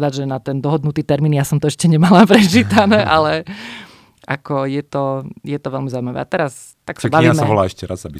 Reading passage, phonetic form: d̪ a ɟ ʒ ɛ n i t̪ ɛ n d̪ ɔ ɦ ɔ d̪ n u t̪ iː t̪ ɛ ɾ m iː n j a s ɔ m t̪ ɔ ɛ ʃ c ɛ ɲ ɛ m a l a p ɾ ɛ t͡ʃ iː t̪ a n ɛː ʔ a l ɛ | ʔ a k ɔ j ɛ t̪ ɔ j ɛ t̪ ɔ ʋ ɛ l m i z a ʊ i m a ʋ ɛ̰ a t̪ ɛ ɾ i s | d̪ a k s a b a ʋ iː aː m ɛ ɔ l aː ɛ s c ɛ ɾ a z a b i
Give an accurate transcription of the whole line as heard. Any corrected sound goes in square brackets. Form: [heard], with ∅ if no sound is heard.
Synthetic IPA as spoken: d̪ a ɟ ʒ ɛ n [a] t̪ ɛ n d̪ ɔ ɦ ɔ d̪ n u t̪ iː t̪ ɛ ɾ m iː n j a s ɔ m t̪ ɔ ɛ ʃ c ɛ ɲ ɛ m a l a p ɾ ɛ t͡ʃ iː t̪ a n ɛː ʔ a l ɛ | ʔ a k ɔ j ɛ t̪ ɔ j ɛ t̪ ɔ ʋ ɛ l m i z a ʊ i m a ʋ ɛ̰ a t̪ ɛ ɾ [a] s | [t̪] a k s a b a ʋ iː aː m ɛ ɔ l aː ɛ [ʃ] c ɛ ɾ a z a b i